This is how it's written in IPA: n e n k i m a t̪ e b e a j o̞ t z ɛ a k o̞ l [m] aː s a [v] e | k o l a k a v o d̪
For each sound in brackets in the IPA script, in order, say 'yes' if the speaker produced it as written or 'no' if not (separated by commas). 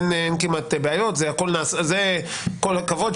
no, no